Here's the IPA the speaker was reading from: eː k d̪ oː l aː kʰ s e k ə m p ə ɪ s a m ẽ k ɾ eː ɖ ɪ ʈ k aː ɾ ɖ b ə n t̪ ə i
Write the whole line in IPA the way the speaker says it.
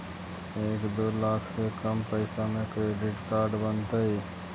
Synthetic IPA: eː k d̪ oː l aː kʰ s e k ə m p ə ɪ s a m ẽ k ɾ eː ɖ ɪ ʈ k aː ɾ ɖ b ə n t̪ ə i